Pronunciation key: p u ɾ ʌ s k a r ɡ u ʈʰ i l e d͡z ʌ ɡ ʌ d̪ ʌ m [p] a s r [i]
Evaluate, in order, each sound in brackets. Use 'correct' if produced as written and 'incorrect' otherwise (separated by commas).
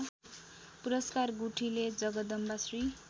incorrect, correct